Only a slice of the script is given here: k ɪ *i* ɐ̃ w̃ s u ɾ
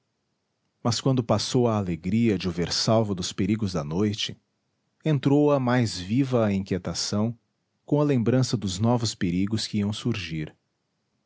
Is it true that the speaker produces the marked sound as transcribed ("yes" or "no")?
yes